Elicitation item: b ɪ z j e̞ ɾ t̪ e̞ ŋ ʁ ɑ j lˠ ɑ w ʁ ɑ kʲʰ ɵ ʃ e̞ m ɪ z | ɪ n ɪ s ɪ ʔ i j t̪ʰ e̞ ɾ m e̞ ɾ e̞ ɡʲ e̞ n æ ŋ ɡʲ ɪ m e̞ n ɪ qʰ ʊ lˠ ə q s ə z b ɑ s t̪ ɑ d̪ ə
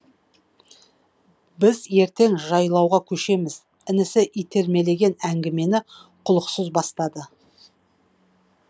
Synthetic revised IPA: b ɪ z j e̞ ɾ t̪ e̞ ŋ ʒ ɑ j lˠ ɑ w ʁ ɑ kʲʰ ɵ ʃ e̞ m ɪ z | ɪ n ɪ s ɪ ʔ i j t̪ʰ e̞ ɾ m e̞ l e̞ ɡʲ e̞ n æ ŋ ɡʲ ɪ m e̞ n ɪ qʰ ʊ lˠ ə q s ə z b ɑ s t̪ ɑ d̪ ə